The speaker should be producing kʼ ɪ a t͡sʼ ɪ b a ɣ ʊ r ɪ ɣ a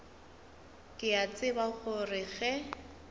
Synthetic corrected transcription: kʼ ɪ a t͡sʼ ɪ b a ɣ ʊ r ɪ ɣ ɛ